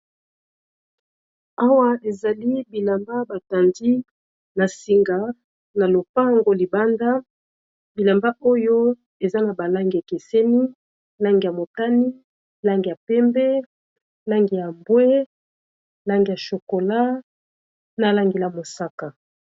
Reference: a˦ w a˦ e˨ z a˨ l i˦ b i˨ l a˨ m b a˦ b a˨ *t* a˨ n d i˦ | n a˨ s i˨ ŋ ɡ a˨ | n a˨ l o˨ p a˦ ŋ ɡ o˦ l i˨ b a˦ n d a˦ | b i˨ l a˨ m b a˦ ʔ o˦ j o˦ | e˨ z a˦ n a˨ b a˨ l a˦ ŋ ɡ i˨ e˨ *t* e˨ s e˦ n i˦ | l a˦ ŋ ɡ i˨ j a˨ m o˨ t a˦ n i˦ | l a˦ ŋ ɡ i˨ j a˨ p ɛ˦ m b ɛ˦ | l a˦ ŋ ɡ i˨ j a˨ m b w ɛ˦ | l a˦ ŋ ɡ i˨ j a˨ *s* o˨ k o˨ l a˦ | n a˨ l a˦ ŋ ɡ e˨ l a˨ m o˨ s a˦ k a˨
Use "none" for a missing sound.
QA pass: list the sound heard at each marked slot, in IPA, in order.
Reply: t, k, ʃ

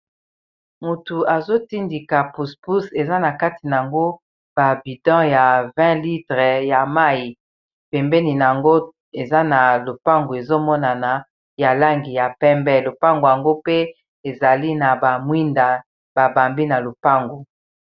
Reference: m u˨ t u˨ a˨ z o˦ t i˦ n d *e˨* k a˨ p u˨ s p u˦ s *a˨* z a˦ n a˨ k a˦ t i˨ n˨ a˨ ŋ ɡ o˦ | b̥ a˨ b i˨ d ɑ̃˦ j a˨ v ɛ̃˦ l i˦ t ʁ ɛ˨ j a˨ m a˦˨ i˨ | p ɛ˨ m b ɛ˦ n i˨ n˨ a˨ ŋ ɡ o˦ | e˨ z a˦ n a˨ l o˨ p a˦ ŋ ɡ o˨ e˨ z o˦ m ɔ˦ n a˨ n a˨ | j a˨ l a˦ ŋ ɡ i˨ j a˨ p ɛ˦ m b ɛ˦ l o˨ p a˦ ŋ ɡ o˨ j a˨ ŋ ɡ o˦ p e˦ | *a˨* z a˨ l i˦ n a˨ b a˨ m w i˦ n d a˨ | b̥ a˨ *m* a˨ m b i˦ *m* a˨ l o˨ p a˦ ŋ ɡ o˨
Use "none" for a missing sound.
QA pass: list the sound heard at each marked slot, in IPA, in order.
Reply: i˨, e˨, e˨, b, n

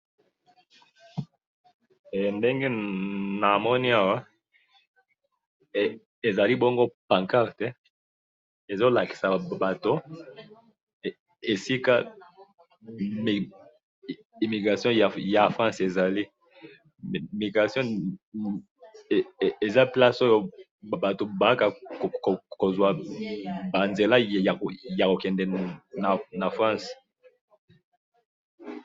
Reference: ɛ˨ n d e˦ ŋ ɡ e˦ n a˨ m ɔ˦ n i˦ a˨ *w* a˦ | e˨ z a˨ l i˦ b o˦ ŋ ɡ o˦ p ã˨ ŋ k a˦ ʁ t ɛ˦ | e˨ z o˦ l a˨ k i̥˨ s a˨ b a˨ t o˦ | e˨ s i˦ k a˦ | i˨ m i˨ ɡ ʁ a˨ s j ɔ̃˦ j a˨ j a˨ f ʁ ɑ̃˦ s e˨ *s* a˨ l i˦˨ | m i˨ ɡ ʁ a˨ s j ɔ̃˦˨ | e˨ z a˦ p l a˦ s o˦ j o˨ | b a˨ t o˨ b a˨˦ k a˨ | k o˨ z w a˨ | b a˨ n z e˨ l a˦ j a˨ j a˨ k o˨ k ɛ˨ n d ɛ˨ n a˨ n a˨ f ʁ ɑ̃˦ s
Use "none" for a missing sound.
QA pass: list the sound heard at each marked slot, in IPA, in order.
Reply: w, z

